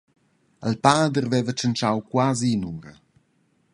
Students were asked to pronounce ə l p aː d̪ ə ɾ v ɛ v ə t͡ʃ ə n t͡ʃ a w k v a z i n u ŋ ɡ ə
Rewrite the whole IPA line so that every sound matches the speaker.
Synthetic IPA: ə l p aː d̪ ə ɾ v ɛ v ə t͡ʃ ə n t͡ʃ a w k w a z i n u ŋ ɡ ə